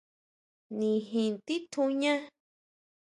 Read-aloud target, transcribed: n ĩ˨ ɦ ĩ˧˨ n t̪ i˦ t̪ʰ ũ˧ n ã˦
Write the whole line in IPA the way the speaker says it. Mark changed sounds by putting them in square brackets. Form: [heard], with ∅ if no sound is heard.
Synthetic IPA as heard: n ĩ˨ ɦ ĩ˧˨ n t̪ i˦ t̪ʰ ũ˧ [ɲ] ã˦